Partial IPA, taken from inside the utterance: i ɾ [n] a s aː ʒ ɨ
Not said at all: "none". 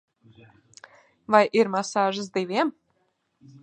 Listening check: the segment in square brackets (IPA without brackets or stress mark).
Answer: m